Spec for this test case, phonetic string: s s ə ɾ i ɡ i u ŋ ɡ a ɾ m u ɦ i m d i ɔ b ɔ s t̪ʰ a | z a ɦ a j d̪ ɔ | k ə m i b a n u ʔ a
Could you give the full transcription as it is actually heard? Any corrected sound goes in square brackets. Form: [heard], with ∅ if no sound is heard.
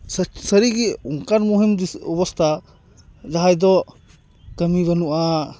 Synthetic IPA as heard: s s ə ɾ i ɡ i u ŋ [k] a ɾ m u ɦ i m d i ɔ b ɔ s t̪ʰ a | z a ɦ a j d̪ ɔ | k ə m i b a n u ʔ a